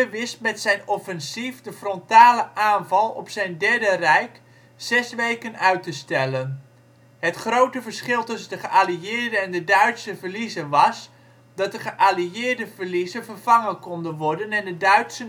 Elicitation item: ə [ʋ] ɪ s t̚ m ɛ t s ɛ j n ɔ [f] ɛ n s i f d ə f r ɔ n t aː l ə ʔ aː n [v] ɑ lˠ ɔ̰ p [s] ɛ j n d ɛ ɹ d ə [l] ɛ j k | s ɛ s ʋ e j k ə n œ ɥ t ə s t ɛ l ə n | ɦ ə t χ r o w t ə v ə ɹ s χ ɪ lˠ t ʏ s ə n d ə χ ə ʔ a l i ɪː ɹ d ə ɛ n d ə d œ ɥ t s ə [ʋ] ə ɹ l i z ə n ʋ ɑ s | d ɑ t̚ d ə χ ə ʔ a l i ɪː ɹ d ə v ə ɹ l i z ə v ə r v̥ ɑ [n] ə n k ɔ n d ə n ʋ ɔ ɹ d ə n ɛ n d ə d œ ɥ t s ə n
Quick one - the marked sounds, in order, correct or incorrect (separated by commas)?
correct, correct, correct, correct, incorrect, incorrect, incorrect